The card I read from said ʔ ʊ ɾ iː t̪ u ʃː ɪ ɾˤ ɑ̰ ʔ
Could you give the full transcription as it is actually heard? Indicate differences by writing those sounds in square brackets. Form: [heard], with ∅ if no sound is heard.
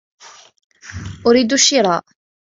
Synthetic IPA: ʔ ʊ ɾ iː [d̪] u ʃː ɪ ɾˤ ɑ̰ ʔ